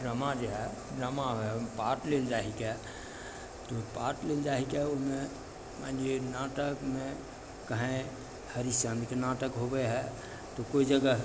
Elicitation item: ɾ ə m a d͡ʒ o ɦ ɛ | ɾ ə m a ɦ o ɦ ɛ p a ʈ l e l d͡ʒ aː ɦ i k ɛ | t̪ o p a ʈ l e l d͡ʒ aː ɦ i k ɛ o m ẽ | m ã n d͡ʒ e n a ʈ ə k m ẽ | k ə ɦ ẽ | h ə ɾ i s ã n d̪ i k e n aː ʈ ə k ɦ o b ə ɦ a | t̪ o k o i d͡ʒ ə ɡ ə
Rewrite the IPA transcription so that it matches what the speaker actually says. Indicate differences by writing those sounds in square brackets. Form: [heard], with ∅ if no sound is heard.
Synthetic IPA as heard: ɾ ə m a d͡ʒ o ɦ ɛ | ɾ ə m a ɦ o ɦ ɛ p a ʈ l e l d͡ʒ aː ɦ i k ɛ | t̪ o p a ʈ l e l d͡ʒ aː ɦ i k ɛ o m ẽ | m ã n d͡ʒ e n a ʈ ə k m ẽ | k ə ɦ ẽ | h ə ɾ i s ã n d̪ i k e n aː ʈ ə k ɦ o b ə ɦ [ɛ] | t̪ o k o i d͡ʒ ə ɡ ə

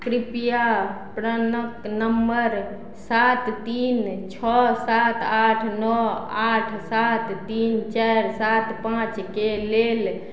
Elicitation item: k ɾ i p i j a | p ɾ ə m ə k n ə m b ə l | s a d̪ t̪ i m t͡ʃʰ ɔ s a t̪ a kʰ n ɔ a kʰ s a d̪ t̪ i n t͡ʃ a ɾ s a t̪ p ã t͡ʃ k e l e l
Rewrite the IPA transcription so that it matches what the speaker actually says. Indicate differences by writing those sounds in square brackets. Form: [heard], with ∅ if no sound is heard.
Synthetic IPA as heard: k ɾ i p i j a | p ɾ ə [n] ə k n ə m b ə [ɾ] | s a [t̪] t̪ i [n] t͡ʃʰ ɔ s a t̪ a [ʈʰ] n ɔ a [ʈʰ] s a [t̪] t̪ i n t͡ʃ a ɾ s a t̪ p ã t͡ʃ k e l e l

